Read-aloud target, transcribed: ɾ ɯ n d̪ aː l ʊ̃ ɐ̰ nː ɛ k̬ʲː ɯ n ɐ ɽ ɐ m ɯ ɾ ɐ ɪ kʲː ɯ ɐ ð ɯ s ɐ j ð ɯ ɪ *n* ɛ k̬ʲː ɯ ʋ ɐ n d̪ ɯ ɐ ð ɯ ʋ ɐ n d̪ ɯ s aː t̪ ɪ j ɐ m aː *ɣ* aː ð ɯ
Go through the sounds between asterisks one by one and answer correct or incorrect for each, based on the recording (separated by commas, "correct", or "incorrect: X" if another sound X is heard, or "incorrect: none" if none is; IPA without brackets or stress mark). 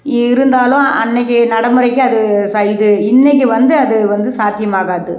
incorrect: nː, correct